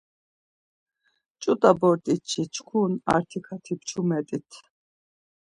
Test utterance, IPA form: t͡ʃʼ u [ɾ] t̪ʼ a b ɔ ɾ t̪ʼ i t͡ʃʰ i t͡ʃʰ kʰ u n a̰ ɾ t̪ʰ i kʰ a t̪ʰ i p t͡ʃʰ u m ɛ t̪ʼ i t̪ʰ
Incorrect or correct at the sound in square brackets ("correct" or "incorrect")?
incorrect